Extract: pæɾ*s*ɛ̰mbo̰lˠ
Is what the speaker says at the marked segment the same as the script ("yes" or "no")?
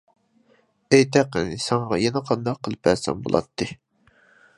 yes